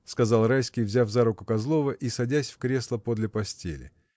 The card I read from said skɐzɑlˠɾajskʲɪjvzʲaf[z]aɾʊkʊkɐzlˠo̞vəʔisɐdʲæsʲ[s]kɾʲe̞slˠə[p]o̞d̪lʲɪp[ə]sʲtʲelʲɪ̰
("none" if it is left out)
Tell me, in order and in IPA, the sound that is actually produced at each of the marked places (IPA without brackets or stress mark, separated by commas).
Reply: z, f, p, ɐ